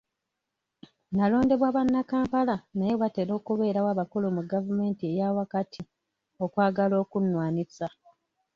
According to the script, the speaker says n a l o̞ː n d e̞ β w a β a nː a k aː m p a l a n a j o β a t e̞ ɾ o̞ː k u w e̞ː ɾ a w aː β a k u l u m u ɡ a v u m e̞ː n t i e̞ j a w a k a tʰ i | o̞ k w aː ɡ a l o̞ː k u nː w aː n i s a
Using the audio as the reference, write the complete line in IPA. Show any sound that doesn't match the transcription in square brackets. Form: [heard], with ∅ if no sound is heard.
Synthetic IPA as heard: n a l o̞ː n d e̞ β w a β a nː a k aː m p a l a n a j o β a t e̞ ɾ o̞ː k u [β] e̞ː ɾ a w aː β a k u l u m u ɡ a v u m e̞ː n t i e̞ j a w a k a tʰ i | o̞ k w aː ɡ a l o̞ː k u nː w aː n i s a